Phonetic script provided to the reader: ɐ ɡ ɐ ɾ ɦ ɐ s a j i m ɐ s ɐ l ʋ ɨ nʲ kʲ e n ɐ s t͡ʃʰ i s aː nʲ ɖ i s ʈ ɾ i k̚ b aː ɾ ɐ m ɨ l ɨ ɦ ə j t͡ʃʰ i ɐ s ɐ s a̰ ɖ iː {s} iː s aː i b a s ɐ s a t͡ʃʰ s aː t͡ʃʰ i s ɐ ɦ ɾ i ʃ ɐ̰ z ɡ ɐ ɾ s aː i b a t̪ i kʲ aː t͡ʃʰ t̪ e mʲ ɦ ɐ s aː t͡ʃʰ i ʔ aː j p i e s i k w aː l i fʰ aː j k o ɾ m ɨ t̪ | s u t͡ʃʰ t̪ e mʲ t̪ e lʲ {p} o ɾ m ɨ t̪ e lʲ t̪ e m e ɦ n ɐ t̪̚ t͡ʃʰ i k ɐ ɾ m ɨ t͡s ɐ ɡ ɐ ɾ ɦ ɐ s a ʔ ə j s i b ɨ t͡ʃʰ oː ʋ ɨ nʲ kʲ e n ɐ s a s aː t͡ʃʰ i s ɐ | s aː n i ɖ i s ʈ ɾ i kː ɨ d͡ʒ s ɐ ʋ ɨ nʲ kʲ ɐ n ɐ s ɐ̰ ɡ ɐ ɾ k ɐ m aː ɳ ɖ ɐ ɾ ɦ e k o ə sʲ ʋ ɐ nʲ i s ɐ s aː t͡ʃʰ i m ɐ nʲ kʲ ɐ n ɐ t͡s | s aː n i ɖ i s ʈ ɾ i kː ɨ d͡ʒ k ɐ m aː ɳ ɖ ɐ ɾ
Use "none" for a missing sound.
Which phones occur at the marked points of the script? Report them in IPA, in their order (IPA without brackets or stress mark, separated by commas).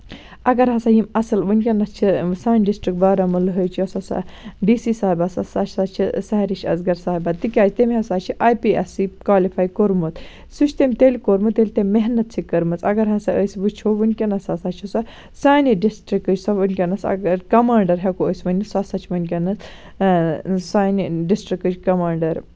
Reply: s, k